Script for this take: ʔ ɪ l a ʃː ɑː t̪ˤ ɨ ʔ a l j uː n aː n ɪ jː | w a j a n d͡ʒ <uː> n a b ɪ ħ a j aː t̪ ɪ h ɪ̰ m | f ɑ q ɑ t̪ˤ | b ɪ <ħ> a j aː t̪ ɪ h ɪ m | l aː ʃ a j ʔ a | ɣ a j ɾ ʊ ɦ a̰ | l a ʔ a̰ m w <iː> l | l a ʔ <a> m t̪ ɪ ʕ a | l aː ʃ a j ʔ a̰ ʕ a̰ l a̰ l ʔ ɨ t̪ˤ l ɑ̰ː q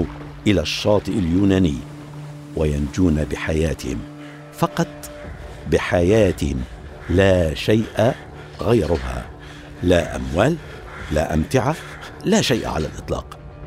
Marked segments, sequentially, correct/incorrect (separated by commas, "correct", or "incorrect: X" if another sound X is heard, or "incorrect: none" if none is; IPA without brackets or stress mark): correct, correct, incorrect: aː, correct